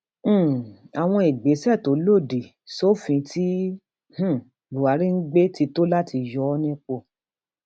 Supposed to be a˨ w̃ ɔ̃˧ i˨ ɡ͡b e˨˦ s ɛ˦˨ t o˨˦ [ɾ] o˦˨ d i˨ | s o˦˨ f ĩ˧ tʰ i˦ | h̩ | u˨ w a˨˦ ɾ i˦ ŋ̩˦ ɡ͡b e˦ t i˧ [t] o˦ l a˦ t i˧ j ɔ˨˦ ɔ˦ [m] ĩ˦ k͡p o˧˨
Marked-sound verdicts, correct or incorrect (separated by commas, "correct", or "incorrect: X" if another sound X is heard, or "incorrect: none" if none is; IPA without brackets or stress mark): incorrect: l, correct, incorrect: n